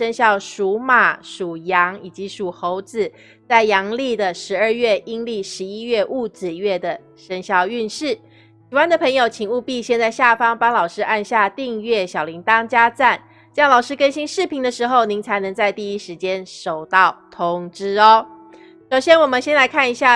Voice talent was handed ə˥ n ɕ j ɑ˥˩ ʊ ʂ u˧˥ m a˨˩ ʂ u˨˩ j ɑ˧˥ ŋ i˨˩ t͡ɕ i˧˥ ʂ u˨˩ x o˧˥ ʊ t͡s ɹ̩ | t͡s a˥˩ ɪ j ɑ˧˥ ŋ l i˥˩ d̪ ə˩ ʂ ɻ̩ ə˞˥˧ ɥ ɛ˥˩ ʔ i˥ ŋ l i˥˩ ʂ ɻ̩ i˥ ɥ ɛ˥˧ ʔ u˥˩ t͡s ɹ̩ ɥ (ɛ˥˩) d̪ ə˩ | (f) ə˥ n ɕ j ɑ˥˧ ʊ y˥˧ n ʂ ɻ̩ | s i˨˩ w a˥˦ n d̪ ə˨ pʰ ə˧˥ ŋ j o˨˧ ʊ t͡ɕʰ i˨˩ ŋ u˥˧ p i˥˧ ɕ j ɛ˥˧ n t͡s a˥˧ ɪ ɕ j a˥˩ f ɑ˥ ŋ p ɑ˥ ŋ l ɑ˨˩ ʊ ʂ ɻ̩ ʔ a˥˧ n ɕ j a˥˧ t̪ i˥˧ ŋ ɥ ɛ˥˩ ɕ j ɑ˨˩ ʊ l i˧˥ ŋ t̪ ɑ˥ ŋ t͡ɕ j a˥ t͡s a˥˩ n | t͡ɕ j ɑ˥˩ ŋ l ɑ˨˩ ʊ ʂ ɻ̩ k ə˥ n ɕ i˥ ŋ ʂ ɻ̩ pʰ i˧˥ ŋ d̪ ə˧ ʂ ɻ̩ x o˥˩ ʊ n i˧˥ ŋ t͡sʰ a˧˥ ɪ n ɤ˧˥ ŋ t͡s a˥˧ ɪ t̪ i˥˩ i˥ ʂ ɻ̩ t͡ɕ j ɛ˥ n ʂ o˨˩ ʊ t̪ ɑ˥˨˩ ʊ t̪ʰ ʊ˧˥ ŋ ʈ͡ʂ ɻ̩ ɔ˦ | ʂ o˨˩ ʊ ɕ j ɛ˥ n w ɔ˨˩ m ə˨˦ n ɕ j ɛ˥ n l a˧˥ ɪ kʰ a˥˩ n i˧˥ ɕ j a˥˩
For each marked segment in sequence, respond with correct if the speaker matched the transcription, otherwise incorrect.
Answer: correct, incorrect

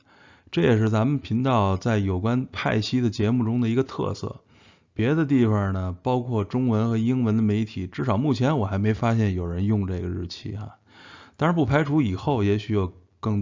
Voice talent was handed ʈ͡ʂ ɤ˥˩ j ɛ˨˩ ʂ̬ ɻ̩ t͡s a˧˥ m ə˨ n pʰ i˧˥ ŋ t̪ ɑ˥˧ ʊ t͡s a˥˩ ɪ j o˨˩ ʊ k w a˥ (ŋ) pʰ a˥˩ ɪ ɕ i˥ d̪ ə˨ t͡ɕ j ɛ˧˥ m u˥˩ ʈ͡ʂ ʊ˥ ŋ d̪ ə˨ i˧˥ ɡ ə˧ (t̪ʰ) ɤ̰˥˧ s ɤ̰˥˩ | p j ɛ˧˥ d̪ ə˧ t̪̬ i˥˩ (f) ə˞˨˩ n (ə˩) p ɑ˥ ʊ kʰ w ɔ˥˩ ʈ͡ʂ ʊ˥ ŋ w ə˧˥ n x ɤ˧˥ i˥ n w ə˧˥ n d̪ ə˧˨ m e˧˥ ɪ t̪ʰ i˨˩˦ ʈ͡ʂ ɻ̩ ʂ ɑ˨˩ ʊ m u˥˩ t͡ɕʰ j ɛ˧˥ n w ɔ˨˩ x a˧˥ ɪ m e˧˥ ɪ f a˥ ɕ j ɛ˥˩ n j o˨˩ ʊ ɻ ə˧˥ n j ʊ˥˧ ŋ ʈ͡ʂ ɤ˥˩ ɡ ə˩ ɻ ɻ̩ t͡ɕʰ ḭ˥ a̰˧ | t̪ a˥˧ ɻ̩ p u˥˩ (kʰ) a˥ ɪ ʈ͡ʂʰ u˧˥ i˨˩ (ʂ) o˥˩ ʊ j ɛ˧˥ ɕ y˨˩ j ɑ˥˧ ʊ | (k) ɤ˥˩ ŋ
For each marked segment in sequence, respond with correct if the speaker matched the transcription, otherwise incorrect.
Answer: incorrect, correct, correct, correct, incorrect, incorrect, correct

